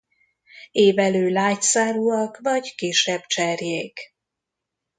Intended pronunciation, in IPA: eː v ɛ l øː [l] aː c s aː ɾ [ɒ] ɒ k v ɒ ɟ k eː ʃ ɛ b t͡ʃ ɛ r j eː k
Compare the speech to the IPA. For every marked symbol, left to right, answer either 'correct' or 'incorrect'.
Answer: correct, incorrect

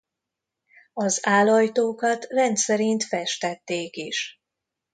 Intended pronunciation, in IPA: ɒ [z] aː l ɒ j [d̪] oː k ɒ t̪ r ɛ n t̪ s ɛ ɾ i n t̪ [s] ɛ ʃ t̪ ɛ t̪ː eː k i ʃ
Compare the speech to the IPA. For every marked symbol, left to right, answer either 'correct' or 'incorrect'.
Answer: correct, incorrect, incorrect

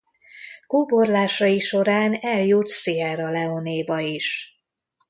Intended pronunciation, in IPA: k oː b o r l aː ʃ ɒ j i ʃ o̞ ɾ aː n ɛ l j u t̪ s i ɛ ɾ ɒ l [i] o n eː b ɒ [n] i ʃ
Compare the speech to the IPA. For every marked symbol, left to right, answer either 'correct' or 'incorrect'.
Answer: incorrect, incorrect

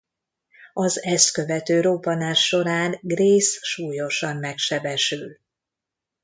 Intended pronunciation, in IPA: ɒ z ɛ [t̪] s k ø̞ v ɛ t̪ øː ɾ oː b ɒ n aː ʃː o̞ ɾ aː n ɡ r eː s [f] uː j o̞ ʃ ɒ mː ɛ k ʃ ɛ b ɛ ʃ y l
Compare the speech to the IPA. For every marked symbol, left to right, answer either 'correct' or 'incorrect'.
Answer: incorrect, incorrect

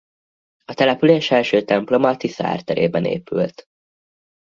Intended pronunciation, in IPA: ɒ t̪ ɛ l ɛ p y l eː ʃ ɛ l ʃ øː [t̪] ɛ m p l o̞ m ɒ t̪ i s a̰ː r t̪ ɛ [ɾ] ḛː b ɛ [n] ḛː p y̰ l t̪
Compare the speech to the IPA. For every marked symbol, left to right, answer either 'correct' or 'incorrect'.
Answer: correct, correct, correct

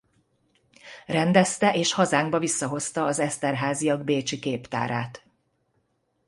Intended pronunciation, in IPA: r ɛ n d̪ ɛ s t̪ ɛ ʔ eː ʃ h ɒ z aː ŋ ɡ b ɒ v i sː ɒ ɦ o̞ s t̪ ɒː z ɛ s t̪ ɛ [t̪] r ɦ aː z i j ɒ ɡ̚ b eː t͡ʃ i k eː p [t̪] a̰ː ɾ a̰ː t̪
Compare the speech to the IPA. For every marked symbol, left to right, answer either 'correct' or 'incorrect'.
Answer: incorrect, correct

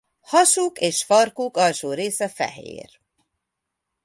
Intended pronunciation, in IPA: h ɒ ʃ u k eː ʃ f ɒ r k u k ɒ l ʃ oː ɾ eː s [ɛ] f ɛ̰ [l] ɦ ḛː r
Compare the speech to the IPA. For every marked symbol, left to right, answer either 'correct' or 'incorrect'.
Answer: correct, incorrect

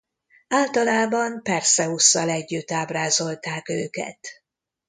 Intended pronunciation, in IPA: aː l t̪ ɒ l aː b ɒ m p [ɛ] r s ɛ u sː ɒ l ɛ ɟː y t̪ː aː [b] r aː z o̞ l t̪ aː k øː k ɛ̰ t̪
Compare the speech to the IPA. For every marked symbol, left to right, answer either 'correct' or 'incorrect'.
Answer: correct, correct

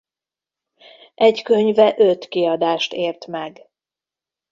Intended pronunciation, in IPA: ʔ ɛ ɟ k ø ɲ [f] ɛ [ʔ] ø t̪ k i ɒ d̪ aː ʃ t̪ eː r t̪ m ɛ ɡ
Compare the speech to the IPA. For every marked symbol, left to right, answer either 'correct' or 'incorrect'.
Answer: incorrect, correct

